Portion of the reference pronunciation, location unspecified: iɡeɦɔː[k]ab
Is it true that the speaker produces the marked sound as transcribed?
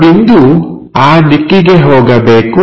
no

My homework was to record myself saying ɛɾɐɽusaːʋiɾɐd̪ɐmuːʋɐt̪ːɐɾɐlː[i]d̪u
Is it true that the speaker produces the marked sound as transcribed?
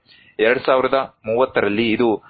no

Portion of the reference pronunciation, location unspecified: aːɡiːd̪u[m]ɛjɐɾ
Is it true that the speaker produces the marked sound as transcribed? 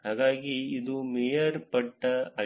yes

